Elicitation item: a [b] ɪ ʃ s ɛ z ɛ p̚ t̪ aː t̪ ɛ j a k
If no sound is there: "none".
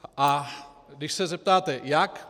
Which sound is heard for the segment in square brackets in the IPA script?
d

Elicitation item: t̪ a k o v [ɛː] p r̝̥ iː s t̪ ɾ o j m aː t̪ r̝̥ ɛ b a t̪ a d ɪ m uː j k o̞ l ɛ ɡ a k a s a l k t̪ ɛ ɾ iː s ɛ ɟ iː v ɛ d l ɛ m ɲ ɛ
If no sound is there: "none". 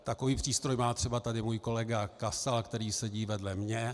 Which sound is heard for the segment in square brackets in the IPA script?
iː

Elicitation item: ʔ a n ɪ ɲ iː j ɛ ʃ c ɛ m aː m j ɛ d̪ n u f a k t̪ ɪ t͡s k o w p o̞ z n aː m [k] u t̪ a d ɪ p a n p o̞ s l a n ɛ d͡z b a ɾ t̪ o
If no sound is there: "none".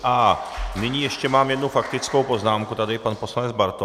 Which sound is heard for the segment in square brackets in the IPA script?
k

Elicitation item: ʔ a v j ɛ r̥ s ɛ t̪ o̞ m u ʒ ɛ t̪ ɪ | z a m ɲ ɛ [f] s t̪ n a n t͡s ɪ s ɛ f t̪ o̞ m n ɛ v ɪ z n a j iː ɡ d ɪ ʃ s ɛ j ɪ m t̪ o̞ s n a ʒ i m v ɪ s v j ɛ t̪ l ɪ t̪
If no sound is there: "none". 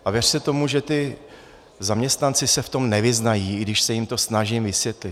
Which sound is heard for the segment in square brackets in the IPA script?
none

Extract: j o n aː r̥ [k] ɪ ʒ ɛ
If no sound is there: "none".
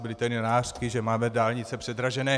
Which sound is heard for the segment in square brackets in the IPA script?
k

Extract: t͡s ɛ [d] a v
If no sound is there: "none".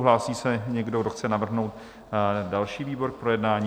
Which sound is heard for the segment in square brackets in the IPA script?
n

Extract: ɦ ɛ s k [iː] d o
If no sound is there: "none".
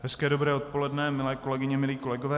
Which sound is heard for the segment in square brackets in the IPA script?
ɛː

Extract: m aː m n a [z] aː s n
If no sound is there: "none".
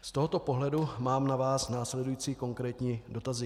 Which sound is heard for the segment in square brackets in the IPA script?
v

